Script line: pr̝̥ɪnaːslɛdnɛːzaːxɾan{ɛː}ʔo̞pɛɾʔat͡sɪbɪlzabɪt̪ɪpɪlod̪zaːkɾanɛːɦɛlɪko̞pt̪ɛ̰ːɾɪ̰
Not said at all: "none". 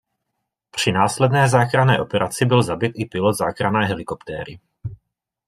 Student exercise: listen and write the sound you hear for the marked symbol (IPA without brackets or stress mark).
ɛː